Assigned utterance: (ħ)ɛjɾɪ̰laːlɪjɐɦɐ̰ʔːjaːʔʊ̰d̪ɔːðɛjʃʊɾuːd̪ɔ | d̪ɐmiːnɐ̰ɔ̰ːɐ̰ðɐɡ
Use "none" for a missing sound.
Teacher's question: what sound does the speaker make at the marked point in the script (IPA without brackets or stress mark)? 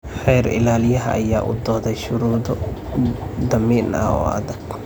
ħ